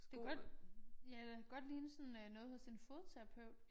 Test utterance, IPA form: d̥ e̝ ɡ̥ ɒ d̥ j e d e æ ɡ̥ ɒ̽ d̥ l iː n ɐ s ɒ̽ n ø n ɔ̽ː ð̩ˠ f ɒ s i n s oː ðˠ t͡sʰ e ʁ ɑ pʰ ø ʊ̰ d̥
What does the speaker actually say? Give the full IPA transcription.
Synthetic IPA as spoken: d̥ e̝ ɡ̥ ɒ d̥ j æ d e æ ɡ̥ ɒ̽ d̥ l iː n ə s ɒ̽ n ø n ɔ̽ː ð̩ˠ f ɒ s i n f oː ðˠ t͡sʰ e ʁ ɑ pʰ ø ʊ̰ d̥